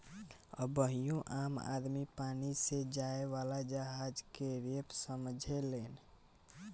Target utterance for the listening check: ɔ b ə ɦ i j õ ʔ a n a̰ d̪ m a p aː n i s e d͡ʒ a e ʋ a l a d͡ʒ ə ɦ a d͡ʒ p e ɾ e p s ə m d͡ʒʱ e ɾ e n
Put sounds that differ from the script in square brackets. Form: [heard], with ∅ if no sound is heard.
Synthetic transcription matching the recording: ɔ b ə ɦ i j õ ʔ a [m] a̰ d̪ m [i] p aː n i s e d͡ʒ a e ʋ a l a d͡ʒ ə ɦ a d͡ʒ [k] e ɾ e p s ə m d͡ʒʱ e [l] e n

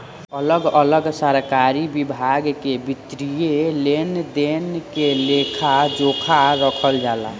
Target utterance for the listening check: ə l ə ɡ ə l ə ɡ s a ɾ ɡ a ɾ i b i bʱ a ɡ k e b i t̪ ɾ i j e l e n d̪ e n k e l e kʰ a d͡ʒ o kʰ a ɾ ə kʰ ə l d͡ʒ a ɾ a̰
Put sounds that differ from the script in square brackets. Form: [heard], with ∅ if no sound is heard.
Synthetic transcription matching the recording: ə l ə ɡ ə l ə ɡ s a ɾ [k] a ɾ i b i bʱ a ɡ k e b i t̪ ɾ i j e l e n d̪ e n k e l e kʰ a d͡ʒ o kʰ a ɾ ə kʰ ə l d͡ʒ a [l] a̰

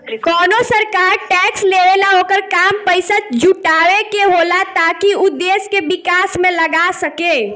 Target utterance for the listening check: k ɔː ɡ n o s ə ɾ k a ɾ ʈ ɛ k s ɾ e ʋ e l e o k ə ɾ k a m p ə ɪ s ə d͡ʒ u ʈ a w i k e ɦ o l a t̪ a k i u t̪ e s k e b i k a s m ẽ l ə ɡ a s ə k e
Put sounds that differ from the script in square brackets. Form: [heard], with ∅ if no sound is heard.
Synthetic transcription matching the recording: k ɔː [∅] n o s ə ɾ k a ɾ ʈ ɛ k s [l] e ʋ e l [a] o k ə ɾ k a m p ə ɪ s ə d͡ʒ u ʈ a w [e] k e ɦ o l a t̪ a k i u [d̪] e s k e b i k a s m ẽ l ə ɡ a s ə k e

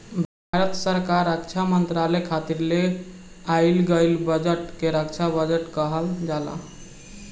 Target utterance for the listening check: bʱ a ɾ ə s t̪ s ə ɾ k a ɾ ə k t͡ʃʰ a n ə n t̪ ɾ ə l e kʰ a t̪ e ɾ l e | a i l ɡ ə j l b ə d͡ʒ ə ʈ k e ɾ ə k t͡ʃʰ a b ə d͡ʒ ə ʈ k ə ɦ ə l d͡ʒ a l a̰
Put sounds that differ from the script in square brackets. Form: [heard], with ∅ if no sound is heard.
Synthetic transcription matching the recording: bʱ a ɾ ə [∅] t̪ s ə ɾ k a ɾ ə k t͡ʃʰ a [m] ə n t̪ ɾ [a] l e kʰ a t̪ [i] ɾ l e | a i l ɡ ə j l b ə d͡ʒ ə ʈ k e ɾ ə k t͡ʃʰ a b ə d͡ʒ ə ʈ k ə ɦ ə l d͡ʒ a l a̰

